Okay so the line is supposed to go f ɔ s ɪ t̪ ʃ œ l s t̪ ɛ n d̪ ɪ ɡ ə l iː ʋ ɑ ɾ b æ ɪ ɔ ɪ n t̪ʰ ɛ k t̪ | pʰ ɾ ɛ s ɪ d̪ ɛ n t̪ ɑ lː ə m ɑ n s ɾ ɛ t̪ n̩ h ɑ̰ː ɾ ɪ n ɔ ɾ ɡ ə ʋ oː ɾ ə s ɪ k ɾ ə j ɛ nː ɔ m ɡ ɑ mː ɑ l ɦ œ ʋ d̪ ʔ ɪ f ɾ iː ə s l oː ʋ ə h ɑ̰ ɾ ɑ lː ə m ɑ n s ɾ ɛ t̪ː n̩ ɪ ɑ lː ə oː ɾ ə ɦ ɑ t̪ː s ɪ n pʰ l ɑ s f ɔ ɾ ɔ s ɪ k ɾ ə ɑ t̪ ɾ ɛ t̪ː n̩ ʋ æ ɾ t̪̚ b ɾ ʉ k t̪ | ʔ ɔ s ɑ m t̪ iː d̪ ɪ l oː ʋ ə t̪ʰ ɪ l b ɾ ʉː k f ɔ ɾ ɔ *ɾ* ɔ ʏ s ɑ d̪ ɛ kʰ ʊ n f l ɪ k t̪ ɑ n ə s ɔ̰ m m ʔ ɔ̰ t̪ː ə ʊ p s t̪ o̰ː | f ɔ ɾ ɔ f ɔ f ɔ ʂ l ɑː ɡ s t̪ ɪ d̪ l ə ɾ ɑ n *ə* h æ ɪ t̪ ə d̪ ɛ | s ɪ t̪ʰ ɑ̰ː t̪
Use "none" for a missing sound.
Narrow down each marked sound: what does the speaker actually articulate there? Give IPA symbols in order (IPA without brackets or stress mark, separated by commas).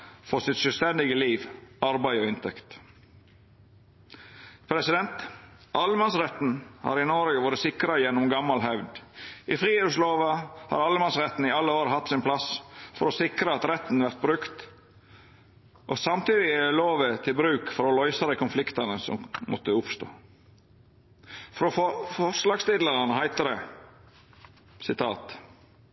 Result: l, ə